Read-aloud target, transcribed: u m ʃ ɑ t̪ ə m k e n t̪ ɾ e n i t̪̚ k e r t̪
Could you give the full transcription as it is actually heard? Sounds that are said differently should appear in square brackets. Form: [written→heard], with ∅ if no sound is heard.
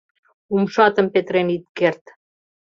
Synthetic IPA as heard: u m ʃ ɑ t̪ ə m [k→p] e [n→∅] t̪ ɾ e n i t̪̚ k e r t̪